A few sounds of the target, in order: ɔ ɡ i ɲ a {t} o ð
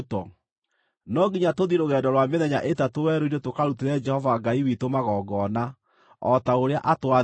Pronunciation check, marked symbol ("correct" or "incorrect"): correct